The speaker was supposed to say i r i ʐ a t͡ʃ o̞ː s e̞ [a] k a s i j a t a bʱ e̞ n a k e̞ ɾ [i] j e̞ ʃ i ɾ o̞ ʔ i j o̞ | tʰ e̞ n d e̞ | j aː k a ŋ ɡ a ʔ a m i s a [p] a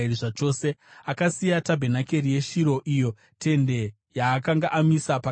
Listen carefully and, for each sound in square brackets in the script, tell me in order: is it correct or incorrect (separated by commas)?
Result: correct, correct, correct